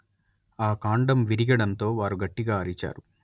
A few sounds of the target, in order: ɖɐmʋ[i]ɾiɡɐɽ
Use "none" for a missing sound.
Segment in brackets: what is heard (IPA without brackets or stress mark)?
i